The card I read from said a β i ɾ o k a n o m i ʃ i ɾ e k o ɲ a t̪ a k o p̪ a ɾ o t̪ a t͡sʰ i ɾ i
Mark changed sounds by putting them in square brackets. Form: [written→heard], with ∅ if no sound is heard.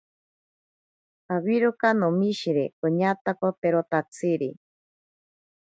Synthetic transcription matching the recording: a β i ɾ o k a n o m i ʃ i ɾ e k o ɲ a t̪ a k o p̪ [a→e] ɾ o t̪ a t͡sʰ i ɾ i